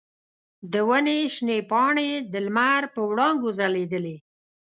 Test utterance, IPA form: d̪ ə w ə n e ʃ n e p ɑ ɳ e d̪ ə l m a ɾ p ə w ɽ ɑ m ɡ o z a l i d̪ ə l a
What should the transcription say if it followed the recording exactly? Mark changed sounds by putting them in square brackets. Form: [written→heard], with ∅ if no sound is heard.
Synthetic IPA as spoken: d̪ ə w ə n e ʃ n e p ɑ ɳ e d̪ ə l m a ɾ p ə w ɽ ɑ [m→ŋ] ɡ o z a l [i→e] d̪ ə l [a→e]